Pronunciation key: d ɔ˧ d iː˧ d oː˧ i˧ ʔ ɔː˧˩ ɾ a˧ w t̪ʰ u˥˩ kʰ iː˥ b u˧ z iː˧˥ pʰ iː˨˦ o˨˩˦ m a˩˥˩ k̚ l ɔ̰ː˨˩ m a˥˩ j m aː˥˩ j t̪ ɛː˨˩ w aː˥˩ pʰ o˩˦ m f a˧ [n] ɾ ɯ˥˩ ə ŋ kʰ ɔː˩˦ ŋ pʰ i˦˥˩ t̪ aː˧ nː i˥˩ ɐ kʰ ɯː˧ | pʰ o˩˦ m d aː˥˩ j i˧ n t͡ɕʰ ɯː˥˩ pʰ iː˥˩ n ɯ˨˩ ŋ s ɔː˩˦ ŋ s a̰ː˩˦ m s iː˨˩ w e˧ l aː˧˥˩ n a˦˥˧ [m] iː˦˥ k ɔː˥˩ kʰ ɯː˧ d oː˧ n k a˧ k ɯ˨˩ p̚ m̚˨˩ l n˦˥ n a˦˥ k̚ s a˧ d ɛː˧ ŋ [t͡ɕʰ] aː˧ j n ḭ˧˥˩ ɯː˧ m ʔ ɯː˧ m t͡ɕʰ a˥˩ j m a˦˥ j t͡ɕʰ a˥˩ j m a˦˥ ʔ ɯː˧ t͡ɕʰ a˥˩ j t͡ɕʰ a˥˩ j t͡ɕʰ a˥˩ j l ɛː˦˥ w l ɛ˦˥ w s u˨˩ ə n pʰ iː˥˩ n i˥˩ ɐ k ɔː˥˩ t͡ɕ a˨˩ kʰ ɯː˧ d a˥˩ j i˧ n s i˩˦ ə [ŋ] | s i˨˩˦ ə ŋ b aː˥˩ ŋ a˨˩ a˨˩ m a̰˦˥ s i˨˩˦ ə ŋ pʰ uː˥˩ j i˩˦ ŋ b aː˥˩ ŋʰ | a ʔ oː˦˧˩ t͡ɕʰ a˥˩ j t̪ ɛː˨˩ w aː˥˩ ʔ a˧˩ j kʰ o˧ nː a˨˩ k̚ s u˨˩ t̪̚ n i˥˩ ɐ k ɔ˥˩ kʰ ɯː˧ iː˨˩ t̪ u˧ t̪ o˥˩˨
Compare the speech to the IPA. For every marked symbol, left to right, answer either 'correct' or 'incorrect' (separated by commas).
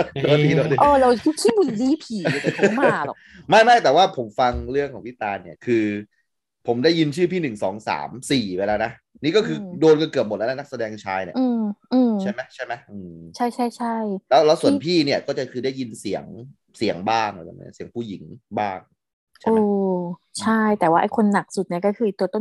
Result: incorrect, incorrect, correct, correct